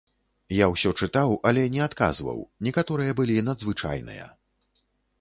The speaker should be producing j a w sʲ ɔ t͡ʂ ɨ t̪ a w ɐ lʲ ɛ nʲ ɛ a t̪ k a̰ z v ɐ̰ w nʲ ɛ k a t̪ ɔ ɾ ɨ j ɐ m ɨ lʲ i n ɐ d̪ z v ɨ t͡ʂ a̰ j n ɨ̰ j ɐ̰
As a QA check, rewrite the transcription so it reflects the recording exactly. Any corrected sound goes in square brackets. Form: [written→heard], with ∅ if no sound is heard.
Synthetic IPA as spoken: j a w sʲ ɔ t͡ʂ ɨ t̪ a w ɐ lʲ ɛ nʲ ɛ a t̪ k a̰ z v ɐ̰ w nʲ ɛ k a t̪ ɔ ɾ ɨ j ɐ [m→b] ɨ lʲ i n ɐ d̪ z v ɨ t͡ʂ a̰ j n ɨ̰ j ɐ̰